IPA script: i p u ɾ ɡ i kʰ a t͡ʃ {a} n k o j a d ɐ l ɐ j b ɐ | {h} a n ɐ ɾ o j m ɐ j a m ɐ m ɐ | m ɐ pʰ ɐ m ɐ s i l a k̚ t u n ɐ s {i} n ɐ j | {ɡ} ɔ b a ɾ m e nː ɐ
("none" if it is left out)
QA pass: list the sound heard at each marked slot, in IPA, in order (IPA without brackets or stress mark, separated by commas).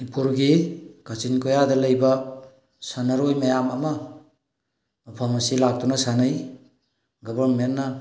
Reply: i, s, a, ɡ